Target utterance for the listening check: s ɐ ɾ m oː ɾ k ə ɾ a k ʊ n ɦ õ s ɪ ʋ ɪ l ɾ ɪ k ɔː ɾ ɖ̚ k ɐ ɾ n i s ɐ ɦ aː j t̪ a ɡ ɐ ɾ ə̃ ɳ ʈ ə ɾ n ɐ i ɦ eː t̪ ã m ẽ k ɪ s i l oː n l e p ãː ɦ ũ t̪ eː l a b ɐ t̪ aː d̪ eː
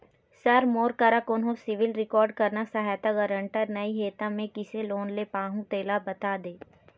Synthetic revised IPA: s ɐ ɾ m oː ɾ k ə ɾ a k ʊ n ɦ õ s ɪ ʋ ɪ l ɾ ɪ k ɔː ɾ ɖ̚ k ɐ ɾ n a s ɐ ɦ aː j t̪ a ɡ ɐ ɾ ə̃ ɳ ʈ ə ɾ n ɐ i ɦ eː t̪ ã m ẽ k ɪ s e l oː n l e p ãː ɦ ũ t̪ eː l a b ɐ t̪ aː d̪ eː